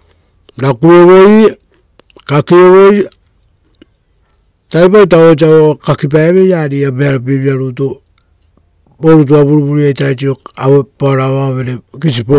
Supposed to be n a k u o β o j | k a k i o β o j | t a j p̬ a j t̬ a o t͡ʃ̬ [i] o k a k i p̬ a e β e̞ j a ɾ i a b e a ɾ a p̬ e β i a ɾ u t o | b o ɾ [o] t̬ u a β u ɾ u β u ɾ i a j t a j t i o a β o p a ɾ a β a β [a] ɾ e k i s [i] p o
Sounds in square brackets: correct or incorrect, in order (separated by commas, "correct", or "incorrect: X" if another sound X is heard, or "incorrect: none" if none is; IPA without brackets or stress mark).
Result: incorrect: a, incorrect: u, incorrect: e, correct